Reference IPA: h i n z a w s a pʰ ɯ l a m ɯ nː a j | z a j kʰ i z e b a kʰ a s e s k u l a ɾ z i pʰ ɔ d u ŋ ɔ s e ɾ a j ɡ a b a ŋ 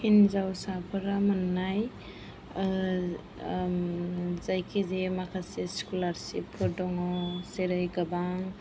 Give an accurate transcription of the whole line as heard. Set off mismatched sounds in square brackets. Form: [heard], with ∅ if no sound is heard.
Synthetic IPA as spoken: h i n z a w s a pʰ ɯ [ɾ] a m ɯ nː a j | z a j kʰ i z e [m] a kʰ a s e s k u l a ɾ [s] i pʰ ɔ d [ɔ] ŋ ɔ s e ɾ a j ɡ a b a ŋ